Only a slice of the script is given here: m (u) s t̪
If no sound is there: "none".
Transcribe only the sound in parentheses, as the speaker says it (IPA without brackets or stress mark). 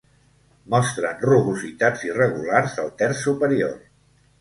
ɔ